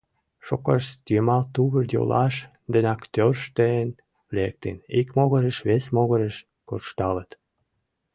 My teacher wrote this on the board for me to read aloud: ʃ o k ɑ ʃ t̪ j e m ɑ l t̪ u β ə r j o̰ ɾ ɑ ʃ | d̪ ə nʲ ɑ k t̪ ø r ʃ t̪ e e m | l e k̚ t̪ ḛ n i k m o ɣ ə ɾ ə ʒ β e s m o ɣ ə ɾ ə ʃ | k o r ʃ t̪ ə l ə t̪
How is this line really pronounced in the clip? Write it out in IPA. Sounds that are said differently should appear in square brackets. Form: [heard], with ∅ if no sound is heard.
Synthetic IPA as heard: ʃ o k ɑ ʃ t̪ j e m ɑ l t̪ u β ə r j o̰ [l] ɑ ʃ | d̪ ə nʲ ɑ k t̪ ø r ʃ t̪ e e [n] | l e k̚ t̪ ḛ n i k m o ɣ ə ɾ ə [ʃ] β e s m o ɣ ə ɾ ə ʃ | k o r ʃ t̪ [ɑ] l ə t̪

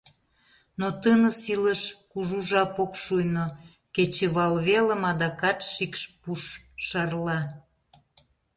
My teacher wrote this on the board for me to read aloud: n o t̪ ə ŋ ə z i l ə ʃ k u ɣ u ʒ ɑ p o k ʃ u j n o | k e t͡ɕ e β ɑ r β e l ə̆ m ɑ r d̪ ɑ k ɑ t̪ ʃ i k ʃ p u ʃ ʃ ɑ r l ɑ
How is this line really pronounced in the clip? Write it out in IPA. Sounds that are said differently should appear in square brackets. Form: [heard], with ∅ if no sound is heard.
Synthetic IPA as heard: n o t̪ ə [n] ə [s] i l ə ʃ k u [ʒ] u ʒ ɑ p o k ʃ u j n o | k e t͡ɕ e β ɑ [l] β e l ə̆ m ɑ [∅] d̪ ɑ k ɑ t̪ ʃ i k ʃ p u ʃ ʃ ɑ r l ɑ

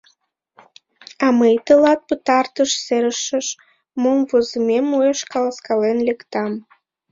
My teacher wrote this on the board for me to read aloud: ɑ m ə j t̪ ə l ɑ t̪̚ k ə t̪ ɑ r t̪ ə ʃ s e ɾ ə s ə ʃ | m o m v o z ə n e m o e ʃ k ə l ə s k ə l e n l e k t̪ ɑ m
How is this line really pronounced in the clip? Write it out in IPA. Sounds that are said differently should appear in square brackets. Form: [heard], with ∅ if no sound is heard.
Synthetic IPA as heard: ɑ m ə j t̪ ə l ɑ t̪̚ [p] ə t̪ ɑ r t̪ ə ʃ s e ɾ ə [ʃ] ə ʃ | m o m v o z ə [m] e m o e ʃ k [ɑ] l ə s k [ɑ] l e n l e k t̪ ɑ m

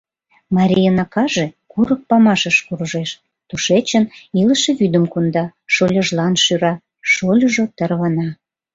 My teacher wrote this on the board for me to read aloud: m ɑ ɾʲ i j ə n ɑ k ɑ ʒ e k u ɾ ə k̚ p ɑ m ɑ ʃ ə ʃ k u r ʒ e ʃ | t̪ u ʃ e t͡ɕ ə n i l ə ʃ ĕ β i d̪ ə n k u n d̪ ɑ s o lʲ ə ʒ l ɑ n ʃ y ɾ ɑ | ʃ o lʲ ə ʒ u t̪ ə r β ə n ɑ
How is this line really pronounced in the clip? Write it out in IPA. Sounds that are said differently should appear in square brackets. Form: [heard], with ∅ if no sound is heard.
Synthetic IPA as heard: m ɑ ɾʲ i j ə n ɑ k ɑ ʒ e k u ɾ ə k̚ p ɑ m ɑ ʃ ə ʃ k u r ʒ e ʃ | t̪ u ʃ e t͡ɕ ə n i l ə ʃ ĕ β [y] d̪ ə [m] k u n d̪ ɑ [ʃ] o lʲ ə ʒ l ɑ n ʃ y ɾ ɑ | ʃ o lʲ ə ʒ [o] t̪ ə r β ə n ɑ

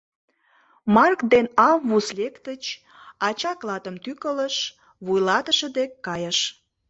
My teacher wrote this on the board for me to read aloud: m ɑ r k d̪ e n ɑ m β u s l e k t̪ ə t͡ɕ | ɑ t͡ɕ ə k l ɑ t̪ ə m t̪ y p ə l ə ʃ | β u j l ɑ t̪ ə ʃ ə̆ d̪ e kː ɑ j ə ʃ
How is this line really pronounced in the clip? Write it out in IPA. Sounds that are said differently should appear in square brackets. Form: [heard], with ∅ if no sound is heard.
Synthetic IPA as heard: m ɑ r k d̪ e n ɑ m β u s l e k t̪ ə t͡ɕ | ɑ t͡ɕ [ɑ] k l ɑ t̪ ə m t̪ y [k] ə l ə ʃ | β u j l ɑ t̪ ə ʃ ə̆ d̪ e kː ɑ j ə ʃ

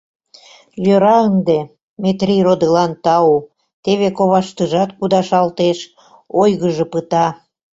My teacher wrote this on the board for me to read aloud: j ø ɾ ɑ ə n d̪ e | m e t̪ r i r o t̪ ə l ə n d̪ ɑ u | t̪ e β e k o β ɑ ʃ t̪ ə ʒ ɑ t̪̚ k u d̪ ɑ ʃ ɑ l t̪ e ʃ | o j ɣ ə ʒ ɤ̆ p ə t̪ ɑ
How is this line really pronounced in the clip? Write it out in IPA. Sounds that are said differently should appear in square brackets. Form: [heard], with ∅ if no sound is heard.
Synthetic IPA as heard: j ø ɾ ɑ ə n d̪ e | m e t̪ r i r o [d̪] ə l [ɑ] n [t̪] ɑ u | t̪ e β e k o β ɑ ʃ t̪ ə ʒ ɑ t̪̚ k u d̪ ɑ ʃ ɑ l t̪ e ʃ | o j ɣ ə ʒ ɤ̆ p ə t̪ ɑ

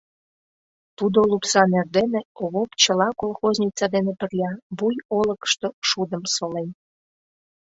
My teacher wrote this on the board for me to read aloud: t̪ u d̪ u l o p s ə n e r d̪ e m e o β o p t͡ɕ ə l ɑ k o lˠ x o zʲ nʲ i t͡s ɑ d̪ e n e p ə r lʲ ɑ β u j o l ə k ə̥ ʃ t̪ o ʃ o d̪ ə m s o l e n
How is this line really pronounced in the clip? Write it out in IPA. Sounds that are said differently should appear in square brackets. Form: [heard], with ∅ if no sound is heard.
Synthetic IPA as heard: t̪ u d̪ [o] l [u] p s [ɑ] n e r d̪ e [n] e o β o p t͡ɕ ə l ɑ k o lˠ x o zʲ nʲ i t͡s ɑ d̪ e n e p ə r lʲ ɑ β u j o l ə k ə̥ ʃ t̪ o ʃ [u] d̪ ə m s o l e n

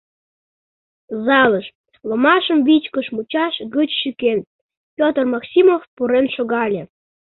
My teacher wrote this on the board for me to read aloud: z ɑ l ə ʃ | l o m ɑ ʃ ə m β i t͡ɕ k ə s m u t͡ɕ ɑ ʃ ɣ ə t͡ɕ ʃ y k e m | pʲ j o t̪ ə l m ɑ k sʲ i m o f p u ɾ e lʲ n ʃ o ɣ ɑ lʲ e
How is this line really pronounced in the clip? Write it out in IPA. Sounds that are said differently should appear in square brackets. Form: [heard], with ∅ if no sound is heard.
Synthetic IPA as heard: z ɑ l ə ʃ | l o m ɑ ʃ ə m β i t͡ɕ k ə [ʃ] m u t͡ɕ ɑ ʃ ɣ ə t͡ɕ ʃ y k e [n] | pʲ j o t̪ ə [r] m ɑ k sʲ i m o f p u ɾ e [∅] n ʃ o ɣ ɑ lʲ e

